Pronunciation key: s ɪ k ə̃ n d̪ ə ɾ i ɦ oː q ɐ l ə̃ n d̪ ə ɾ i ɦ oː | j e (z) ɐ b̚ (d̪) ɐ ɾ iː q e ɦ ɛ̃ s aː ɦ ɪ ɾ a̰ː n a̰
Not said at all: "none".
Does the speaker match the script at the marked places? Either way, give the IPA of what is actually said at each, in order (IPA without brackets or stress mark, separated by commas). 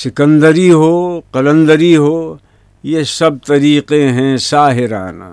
s, t̪